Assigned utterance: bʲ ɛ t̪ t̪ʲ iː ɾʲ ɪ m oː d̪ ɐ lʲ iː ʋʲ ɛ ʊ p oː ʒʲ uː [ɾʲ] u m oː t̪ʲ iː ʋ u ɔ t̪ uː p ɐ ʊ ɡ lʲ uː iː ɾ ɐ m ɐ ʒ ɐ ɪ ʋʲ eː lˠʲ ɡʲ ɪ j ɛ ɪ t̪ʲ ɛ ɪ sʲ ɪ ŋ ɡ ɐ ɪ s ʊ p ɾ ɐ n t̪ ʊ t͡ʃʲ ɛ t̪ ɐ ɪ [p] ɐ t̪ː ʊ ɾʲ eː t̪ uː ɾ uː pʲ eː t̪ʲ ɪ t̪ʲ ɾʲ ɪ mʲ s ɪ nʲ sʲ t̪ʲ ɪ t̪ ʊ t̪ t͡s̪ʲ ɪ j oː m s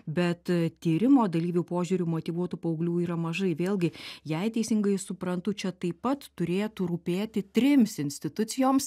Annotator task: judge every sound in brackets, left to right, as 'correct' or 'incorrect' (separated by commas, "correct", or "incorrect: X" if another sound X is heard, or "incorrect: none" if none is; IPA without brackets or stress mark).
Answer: correct, correct